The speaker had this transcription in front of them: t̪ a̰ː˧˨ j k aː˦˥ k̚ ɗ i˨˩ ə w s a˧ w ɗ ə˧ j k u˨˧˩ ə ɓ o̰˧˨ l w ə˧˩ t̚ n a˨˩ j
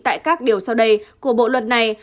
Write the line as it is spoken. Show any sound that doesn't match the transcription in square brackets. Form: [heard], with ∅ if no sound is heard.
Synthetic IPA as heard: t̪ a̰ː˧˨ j k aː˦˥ k̚ ɗ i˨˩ ə w s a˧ w ɗ ə˧ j k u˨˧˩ ə ɓ o̰˧˨ l w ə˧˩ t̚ n a˨˩ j

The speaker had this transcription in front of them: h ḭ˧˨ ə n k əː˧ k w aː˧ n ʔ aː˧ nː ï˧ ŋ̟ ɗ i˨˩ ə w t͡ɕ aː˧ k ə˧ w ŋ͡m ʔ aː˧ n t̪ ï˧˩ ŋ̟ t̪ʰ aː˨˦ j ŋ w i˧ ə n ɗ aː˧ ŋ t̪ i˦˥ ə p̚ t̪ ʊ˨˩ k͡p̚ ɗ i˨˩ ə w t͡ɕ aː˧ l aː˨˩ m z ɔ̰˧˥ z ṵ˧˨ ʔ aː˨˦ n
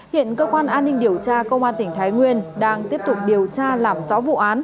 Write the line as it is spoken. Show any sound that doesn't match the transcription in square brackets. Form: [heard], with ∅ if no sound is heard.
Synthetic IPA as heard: h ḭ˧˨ ə n k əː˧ k w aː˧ n ʔ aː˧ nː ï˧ ŋ̟ ɗ i˨˩ ə w t͡ɕ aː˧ k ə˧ w ŋ͡m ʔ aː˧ n t̪ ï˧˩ ŋ̟ t̪ʰ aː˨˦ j ŋ w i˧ ə n ɗ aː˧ ŋ t̪ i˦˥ ə p̚ t̪ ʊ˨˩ k͡p̚ ɗ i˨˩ ə w t͡ɕ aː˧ l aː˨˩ m z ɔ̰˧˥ [v] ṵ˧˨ ʔ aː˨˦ n

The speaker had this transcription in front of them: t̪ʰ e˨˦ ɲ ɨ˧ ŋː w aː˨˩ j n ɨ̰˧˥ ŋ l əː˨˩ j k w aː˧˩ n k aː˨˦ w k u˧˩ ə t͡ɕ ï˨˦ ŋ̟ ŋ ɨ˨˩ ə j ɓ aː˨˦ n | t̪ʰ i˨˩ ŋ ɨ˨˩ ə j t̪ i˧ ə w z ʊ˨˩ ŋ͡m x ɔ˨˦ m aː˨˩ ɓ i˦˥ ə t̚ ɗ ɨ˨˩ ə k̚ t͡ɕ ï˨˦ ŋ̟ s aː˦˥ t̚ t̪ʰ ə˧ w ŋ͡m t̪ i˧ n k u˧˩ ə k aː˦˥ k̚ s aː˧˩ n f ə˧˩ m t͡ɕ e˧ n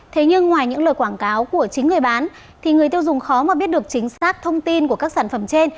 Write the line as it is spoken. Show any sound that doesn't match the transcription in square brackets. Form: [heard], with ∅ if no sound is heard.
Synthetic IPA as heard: t̪ʰ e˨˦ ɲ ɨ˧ ŋː w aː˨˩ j [ɲ] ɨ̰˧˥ ŋ l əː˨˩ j k w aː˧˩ n k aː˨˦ w k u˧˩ ə t͡ɕ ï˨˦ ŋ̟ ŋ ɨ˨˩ ə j ɓ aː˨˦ n | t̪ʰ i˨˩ ŋ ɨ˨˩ ə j t̪ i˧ ə w z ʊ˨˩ ŋ͡m x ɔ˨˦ m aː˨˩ ɓ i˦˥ ə t̚ ɗ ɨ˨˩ ə k̚ t͡ɕ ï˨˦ ŋ̟ s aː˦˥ [k̚] t̪ʰ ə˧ w ŋ͡m t̪ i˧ n k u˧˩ ə k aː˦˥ k̚ s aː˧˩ n f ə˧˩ m t͡ɕ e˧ n

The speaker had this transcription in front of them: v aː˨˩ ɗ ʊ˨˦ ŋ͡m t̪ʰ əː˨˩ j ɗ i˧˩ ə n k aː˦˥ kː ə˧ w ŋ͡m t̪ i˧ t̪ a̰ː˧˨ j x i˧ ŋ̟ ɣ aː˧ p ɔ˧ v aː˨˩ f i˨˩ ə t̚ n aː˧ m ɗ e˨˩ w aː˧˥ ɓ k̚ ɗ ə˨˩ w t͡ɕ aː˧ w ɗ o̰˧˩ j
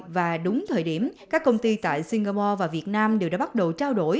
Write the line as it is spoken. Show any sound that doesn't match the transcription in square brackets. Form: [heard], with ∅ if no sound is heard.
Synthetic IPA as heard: v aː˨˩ ɗ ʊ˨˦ ŋ͡m t̪ʰ əː˨˩ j ɗ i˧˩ ə [m] k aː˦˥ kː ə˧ w ŋ͡m t̪ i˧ t̪ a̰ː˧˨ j [s] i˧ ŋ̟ ɣ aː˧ p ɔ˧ v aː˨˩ [v] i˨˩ ə t̚ n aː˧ m ɗ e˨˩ w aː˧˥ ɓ [t̚] ɗ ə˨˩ w t͡ɕ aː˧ w ɗ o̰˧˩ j

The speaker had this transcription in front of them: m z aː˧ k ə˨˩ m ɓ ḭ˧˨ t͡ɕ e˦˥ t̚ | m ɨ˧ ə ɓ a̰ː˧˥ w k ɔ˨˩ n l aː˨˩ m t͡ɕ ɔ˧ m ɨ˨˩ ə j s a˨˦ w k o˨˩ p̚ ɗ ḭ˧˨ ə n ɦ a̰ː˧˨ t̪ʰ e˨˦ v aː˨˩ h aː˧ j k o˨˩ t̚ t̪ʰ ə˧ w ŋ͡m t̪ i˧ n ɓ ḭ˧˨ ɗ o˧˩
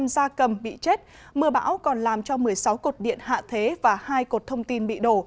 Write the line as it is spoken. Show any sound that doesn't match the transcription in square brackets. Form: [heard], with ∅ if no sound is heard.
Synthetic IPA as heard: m z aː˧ k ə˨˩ m ɓ ḭ˧˨ t͡ɕ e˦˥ t̚ | m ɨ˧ ə ɓ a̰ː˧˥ w k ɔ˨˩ n l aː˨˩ m t͡ɕ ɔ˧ m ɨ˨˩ ə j s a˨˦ w k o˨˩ [t̚] ɗ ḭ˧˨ ə n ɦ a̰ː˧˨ t̪ʰ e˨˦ v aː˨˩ h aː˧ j k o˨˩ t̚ t̪ʰ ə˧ w ŋ͡m t̪ i˧ n ɓ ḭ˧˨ ɗ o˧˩

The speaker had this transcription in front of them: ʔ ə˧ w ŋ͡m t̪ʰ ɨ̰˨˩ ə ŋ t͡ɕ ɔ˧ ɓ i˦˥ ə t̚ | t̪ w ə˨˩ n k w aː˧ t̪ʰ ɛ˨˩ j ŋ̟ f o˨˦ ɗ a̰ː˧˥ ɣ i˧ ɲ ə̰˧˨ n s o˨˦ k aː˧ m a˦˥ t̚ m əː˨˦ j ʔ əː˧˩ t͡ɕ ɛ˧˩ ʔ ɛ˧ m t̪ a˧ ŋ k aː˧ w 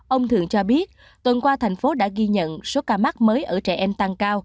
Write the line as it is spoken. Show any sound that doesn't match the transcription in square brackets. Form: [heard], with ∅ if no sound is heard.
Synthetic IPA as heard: ʔ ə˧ w ŋ͡m t̪ʰ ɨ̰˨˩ ə ŋ t͡ɕ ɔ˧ ɓ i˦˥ ə t̚ | t̪ w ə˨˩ n k w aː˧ t̪ʰ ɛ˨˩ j ŋ̟ f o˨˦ ɗ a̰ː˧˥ ɣ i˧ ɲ ə̰˧˨ n s o˨˦ k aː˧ m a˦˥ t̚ m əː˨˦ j ʔ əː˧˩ t͡ɕ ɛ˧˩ ʔ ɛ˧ m t̪ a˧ ŋ k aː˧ w

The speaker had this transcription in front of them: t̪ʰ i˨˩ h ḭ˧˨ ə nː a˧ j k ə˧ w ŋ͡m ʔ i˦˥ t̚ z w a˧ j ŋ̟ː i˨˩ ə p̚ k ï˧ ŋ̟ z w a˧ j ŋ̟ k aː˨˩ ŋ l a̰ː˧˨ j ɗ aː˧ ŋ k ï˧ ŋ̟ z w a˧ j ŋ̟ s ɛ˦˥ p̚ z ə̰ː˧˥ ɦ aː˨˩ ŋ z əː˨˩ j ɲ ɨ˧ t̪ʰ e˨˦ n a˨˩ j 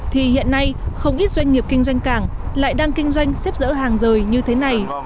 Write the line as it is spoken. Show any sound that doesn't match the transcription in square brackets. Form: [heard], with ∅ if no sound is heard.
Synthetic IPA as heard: t̪ʰ i˨˩ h ḭ˧˨ ə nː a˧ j [x] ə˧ w ŋ͡m ʔ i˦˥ t̚ z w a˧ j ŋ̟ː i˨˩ ə p̚ k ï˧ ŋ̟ z w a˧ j ŋ̟ k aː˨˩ ŋ l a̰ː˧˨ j ɗ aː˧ ŋ k ï˧ ŋ̟ z w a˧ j ŋ̟ s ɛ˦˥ p̚ z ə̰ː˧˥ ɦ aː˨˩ ŋ z əː˨˩ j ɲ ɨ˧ t̪ʰ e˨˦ n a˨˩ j

